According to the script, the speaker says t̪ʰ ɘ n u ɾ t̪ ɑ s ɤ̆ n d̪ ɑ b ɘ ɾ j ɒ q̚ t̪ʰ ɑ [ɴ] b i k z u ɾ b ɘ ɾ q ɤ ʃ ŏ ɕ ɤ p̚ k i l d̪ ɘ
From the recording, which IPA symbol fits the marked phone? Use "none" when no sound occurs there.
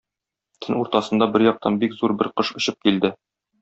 n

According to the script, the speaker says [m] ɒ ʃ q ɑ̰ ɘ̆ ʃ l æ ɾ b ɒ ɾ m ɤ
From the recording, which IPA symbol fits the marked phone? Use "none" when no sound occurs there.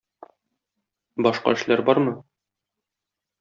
b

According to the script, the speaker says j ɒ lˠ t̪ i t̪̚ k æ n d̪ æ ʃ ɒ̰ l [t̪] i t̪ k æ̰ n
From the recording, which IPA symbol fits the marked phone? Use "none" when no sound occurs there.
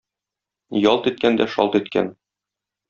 t̪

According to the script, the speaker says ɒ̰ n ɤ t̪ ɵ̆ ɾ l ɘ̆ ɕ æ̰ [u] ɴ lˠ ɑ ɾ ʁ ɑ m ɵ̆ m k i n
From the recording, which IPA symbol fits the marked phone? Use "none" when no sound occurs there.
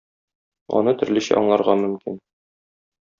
ɒ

